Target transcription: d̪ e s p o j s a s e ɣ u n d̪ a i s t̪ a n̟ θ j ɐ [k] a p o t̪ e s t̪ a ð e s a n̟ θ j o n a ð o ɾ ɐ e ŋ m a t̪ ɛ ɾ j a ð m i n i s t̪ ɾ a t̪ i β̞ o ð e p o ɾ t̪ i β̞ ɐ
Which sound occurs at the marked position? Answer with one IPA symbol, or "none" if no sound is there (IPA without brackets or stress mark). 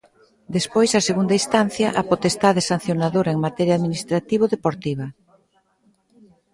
ʔ